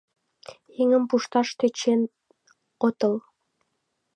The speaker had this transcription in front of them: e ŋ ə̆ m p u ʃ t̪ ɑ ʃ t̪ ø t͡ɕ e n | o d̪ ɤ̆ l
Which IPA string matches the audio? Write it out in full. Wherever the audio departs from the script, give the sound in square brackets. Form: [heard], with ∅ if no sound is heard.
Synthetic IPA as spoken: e ŋ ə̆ m p u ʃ t̪ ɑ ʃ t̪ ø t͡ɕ e n | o [t̪] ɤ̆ l